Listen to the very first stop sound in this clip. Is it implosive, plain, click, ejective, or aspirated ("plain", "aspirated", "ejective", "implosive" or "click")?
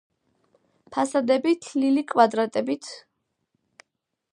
aspirated